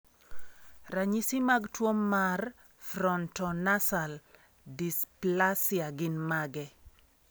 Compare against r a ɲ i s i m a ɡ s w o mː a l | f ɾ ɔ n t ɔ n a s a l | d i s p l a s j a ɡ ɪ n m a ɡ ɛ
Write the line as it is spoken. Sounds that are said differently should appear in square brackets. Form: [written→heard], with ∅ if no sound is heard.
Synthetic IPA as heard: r a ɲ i s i m a ɡ [s→t] w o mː a [l→r] | f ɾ ɔ n t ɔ n a s a l | d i s p l a s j a ɡ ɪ n m a ɡ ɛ

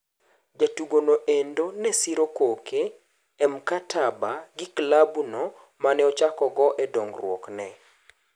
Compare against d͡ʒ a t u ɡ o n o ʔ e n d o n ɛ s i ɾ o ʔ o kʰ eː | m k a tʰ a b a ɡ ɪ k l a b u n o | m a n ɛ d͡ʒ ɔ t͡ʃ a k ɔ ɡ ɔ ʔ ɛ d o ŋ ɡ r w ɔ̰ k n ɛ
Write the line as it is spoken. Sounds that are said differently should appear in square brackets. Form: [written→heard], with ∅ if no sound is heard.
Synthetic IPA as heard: d͡ʒ a t u ɡ o n o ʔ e n d o n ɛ s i ɾ o [ʔ→k] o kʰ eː | m k a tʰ a b a ɡ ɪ k l a b u n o | m a n ɛ [d͡ʒ→∅] ɔ t͡ʃ a k ɔ ɡ ɔ ʔ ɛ d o ŋ ɡ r w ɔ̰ k n ɛ

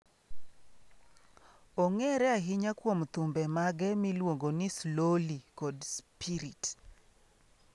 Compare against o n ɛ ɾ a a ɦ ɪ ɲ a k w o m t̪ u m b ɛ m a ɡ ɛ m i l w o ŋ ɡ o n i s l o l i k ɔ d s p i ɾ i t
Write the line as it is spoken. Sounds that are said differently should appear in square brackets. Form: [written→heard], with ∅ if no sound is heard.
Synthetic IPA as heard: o [n→ŋ] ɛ ɾ [a→ɛ] a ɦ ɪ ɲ a k w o m t̪ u m b ɛ m a ɡ ɛ m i l w o ŋ ɡ o n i s l o l i k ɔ d s p i ɾ i t

